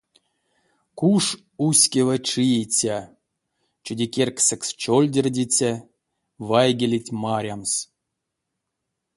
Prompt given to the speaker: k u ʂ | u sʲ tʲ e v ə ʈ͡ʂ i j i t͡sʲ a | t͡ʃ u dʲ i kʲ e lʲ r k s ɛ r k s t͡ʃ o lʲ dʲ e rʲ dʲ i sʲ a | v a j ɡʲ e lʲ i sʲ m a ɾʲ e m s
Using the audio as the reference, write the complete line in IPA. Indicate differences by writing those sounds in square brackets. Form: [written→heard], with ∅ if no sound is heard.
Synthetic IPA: k u ʂ | u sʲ [tʲ→kʲ] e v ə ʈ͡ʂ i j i t͡sʲ a | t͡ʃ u dʲ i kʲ e [lʲ→∅] r k s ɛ [r→∅] k s t͡ʃ o lʲ dʲ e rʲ dʲ i [sʲ→t͡sʲ] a | v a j ɡʲ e lʲ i [sʲ→tʲ] m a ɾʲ [e→a] m s

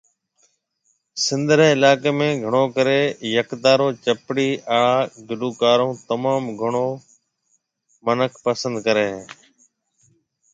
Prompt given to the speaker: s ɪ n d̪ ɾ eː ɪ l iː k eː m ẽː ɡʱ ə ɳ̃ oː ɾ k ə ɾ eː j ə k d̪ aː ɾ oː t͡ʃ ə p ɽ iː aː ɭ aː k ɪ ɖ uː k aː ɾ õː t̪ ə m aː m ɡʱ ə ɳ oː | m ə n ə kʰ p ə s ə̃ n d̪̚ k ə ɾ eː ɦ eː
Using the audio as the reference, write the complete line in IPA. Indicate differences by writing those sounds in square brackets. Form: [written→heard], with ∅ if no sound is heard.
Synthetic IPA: s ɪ n d̪ ɾ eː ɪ l [iː→aː] k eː m ẽː ɡʱ ə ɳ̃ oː [ɾ→∅] k ə ɾ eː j ə k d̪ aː ɾ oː t͡ʃ ə p ɽ iː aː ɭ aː [k→ɡ] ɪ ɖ uː k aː ɾ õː t̪ ə m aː m ɡʱ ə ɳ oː | m ə n ə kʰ p ə s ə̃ n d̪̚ k ə ɾ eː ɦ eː

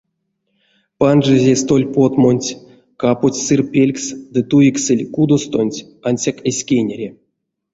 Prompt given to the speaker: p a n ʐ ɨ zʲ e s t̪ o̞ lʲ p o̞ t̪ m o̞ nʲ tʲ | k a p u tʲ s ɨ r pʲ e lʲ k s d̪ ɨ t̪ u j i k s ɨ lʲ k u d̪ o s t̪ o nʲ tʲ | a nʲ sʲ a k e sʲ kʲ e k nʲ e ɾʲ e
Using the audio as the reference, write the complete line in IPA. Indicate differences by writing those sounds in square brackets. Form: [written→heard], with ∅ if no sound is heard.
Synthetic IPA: p a n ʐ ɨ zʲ e s t̪ o̞ lʲ p o̞ t̪ m o̞ nʲ tʲ | k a p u tʲ s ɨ r pʲ e lʲ k s d̪ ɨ t̪ u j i k s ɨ lʲ k u d̪ o s t̪ o nʲ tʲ | a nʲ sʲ a k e sʲ kʲ e [k→∅] nʲ e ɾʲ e

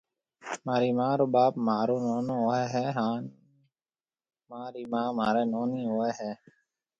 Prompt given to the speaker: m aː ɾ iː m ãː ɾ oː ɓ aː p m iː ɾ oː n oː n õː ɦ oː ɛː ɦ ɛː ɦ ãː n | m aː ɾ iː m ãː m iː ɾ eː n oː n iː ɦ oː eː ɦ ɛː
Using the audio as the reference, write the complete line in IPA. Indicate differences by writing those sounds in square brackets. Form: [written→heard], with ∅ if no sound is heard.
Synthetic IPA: m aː ɾ iː m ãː ɾ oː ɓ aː p m [iː→aː] ɾ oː n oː n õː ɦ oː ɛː ɦ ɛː ɦ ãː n | m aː ɾ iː m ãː m [iː→aː] ɾ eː n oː n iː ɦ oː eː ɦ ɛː

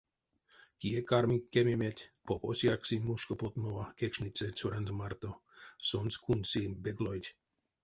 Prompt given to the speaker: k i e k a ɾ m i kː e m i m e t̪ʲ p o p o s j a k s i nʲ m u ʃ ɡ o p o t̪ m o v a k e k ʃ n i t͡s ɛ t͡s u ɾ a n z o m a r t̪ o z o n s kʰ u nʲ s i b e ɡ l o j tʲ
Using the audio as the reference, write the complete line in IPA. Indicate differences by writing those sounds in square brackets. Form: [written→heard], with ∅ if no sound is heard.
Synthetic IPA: k i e k a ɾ m i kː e m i m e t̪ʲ p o p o s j a k s i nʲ m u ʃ [ɡ→k] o p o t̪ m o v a k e k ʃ n i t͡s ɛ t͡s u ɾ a n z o m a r t̪ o [z→s] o n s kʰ u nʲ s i b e ɡ l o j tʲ

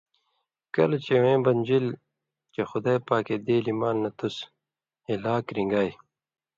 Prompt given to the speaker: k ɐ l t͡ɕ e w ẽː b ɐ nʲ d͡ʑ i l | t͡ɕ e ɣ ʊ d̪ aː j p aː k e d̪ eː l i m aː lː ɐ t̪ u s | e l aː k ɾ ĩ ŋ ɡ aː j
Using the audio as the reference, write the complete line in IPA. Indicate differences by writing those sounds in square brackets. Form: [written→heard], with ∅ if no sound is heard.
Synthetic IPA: k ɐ l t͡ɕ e w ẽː b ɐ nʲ d͡ʑ i l | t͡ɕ e [ɣ→x] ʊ d̪ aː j p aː k e d̪ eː l i m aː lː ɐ t̪ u s | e l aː k ɾ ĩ ŋ ɡ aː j

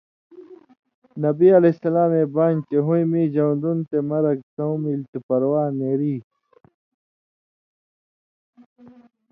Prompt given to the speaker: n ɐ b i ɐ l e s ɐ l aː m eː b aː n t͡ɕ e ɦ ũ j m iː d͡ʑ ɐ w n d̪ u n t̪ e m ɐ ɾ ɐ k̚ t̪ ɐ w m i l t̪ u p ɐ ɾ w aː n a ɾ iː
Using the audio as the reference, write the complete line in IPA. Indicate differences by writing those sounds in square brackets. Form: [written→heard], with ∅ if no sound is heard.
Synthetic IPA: n ɐ b i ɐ l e s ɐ l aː m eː b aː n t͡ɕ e ɦ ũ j m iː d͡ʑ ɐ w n d̪ u n t̪ e m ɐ ɾ ɐ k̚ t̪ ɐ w m i l t̪ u p ɐ ɾ w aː n [a→e] ɾ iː

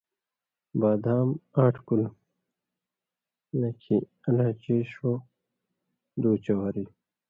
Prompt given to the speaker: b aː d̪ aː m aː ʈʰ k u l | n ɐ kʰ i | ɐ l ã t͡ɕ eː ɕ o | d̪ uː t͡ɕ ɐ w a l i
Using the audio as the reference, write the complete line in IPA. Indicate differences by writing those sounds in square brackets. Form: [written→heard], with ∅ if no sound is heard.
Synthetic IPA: b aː d̪ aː m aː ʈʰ k u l | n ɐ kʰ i | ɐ l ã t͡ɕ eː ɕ o | d̪ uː t͡ɕ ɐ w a [l→ɾ] i

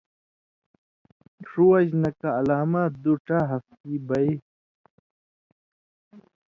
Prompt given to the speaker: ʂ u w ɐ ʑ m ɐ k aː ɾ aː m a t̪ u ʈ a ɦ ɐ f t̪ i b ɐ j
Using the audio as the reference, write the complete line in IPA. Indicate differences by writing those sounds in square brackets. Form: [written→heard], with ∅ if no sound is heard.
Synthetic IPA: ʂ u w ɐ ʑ [m→n] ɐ k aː [ɾ→l] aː m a [t̪→d̪] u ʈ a ɦ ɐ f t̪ i b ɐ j

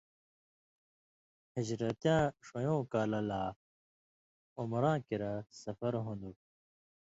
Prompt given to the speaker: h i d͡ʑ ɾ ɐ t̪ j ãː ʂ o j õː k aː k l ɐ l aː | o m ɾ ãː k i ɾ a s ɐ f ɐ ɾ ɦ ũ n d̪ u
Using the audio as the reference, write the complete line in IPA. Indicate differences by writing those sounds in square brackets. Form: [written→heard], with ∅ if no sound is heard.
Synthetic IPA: h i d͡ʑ ɾ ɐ t̪ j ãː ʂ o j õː k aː [k→∅] l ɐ l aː | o m ɾ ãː k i ɾ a s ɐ f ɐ ɾ ɦ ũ n d̪ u

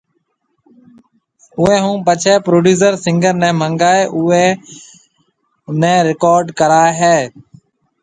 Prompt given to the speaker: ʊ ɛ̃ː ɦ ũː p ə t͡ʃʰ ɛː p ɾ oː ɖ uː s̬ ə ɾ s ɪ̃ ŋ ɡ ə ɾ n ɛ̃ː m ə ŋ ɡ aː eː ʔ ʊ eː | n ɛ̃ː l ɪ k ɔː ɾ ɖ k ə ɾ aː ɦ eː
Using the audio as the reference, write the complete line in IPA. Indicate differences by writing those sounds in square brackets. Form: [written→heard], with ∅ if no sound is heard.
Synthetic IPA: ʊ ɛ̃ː ɦ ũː p ə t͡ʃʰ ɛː p ɾ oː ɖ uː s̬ ə ɾ s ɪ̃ ŋ ɡ ə ɾ n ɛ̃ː m ə ŋ ɡ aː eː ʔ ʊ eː | n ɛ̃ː [l→ɾ] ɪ k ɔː ɾ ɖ k ə ɾ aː ɦ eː

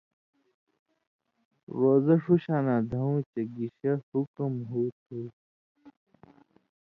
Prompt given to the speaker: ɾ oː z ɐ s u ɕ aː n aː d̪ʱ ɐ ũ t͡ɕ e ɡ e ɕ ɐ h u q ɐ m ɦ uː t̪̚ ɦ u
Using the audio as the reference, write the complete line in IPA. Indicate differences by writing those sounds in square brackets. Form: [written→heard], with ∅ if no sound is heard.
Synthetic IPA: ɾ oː z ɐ [s→ʂ] u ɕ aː n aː d̪ʱ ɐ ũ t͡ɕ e ɡ [e→i] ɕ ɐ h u [q→k] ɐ m ɦ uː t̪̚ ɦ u

